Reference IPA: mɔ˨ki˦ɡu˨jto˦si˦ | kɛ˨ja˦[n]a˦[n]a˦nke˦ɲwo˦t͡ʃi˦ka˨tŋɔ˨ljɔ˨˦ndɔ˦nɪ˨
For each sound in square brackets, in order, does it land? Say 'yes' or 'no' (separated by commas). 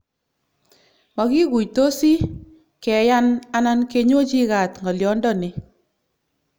yes, yes